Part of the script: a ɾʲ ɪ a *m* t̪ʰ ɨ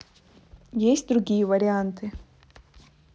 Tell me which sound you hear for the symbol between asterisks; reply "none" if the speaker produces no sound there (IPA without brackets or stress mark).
n